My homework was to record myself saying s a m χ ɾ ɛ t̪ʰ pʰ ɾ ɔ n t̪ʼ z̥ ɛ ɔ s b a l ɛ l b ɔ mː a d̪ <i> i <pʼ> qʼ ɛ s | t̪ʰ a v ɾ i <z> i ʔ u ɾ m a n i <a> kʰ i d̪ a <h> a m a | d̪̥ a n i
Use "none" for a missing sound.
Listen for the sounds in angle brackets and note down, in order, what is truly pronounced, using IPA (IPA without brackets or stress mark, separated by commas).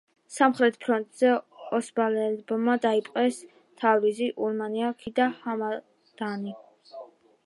a, pʼ, z, a, h